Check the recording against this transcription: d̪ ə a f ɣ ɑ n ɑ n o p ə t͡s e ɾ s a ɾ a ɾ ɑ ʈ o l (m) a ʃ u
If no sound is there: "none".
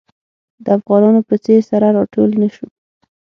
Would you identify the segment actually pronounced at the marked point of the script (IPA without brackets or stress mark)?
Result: n